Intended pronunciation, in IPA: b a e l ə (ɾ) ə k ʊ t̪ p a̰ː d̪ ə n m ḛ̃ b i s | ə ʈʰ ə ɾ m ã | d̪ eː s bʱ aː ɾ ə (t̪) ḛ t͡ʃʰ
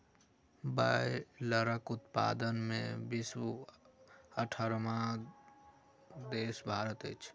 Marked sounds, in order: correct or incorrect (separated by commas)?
correct, correct